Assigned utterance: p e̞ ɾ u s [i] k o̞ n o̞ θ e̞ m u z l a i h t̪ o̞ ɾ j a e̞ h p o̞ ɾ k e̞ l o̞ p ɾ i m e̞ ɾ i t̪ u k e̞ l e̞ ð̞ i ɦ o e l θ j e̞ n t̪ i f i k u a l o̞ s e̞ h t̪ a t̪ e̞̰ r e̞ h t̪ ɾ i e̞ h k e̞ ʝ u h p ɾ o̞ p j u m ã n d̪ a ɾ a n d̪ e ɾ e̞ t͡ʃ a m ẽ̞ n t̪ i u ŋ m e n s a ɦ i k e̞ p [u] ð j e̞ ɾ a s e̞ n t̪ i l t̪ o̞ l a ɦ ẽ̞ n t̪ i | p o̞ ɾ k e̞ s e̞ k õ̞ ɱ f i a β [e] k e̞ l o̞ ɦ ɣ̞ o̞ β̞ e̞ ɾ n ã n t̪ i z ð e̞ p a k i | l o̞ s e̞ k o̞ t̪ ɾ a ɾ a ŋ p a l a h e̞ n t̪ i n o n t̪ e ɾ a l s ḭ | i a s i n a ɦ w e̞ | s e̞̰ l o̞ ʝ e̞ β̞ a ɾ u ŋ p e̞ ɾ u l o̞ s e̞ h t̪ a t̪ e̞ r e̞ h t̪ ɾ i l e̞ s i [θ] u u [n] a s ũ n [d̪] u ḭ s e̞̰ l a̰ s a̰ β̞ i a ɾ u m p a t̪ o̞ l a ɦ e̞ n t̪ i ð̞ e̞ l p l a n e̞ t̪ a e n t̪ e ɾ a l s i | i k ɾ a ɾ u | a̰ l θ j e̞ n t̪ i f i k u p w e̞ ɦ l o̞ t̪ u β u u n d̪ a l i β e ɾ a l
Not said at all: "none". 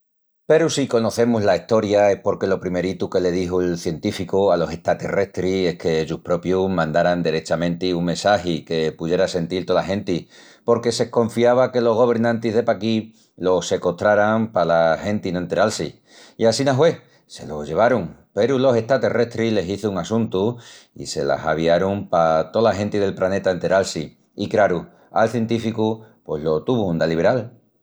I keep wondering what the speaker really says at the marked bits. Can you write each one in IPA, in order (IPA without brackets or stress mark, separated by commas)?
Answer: i, u, a, θ, ŋ, t̪